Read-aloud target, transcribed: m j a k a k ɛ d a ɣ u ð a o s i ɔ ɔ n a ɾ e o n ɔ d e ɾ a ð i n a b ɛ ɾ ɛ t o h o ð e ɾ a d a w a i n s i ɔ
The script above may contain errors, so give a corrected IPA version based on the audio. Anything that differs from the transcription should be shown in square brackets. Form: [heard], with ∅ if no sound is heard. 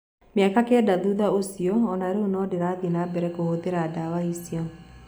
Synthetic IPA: m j a k a k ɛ d a [ð] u ð a o s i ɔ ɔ n a ɾ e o n ɔ d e ɾ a ð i n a b ɛ ɾ ɛ [k] o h o ð e ɾ a d a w a i [∅] s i ɔ